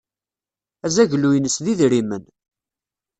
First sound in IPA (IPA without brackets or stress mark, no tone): æ